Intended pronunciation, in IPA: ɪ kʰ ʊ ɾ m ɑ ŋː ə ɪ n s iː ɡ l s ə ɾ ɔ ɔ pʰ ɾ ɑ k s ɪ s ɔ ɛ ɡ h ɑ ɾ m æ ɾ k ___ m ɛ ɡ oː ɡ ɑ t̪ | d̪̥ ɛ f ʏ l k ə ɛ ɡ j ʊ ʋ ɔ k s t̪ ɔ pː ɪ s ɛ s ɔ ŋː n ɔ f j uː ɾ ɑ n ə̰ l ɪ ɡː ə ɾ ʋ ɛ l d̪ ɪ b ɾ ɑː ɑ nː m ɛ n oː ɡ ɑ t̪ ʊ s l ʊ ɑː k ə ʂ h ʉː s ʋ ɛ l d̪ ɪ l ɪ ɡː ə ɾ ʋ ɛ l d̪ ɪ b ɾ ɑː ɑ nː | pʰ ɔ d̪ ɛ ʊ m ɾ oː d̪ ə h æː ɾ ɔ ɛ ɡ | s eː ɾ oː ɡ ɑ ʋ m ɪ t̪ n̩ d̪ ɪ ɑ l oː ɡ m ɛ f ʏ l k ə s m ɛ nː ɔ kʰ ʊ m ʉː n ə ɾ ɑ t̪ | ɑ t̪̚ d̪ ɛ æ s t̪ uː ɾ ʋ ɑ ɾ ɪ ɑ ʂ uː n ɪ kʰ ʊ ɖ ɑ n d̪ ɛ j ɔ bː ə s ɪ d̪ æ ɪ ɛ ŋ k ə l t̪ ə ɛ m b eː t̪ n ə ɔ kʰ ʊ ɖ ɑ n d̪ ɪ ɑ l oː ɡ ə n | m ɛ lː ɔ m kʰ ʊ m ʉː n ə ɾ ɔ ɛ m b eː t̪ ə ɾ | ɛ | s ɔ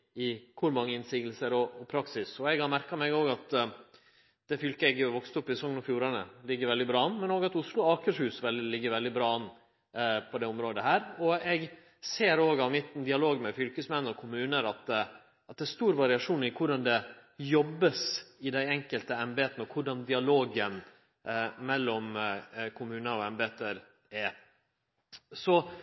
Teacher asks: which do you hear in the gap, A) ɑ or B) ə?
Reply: A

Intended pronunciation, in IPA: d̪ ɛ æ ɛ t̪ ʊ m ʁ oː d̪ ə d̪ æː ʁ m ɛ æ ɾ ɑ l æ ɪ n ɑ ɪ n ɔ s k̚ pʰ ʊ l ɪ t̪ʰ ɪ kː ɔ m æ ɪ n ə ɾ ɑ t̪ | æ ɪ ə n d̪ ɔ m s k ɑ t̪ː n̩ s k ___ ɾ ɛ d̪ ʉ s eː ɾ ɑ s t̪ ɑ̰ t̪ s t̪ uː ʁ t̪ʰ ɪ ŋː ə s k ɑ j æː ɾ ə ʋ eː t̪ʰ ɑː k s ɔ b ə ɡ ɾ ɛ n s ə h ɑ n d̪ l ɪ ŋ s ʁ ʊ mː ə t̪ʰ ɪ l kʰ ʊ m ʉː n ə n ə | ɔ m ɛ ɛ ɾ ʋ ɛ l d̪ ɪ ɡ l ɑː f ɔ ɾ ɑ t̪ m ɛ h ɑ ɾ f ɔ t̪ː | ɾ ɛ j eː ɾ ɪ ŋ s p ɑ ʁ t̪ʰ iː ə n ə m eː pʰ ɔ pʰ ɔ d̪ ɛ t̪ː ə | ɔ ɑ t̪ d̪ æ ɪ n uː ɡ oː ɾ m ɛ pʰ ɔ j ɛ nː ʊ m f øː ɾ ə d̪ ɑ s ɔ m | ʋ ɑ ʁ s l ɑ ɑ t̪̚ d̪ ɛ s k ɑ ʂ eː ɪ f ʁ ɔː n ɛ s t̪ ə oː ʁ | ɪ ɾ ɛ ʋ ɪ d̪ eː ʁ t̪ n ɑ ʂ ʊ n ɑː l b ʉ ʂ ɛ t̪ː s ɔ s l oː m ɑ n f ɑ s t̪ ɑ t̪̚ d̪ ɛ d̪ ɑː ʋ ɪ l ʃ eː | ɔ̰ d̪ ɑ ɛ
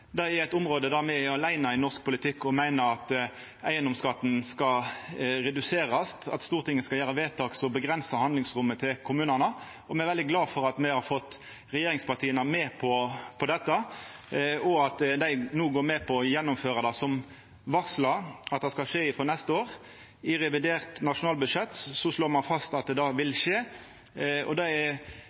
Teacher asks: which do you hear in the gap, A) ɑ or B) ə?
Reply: A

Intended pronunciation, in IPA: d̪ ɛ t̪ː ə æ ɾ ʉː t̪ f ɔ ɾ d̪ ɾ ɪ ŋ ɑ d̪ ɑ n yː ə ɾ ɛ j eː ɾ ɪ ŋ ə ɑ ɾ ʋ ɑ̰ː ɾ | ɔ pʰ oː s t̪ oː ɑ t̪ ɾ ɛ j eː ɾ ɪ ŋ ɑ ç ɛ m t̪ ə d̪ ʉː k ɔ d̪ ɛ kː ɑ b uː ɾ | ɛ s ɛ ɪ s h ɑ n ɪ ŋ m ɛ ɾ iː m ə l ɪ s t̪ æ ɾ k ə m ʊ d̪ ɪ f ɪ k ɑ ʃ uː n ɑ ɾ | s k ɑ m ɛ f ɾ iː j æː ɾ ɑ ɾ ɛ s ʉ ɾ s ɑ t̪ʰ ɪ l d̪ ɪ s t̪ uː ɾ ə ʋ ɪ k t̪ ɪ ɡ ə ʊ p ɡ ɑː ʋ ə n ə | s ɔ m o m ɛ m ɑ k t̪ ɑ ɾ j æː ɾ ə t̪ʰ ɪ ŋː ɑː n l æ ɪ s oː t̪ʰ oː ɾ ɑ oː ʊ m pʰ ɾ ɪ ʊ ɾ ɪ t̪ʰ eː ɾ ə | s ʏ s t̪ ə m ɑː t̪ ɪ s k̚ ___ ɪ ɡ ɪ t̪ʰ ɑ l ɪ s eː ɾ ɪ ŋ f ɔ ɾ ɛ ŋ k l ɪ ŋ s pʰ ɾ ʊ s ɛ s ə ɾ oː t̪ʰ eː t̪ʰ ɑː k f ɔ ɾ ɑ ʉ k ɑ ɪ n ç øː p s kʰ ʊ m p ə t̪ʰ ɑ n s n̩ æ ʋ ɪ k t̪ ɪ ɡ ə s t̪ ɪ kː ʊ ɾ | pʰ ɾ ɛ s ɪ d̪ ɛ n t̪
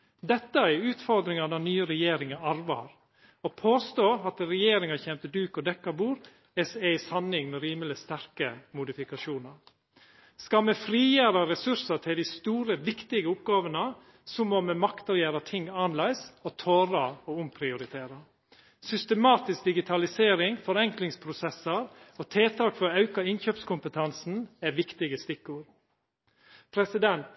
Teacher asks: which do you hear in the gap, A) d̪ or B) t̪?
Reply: A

